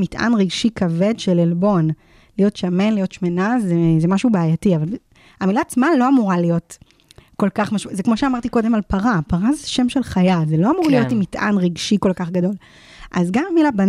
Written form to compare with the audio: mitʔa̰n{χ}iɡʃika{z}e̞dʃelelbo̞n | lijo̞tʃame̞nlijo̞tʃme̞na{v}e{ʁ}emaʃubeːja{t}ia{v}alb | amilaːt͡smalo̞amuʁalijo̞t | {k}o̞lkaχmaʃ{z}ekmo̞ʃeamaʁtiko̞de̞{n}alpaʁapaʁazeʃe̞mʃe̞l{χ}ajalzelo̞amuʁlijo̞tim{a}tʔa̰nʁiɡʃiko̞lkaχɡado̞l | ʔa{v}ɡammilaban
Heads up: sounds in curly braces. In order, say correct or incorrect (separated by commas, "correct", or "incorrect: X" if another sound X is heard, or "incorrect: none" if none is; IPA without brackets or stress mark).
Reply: incorrect: ʁ, incorrect: v, incorrect: z, incorrect: z, correct, correct, correct, correct, incorrect: m, correct, incorrect: i, incorrect: z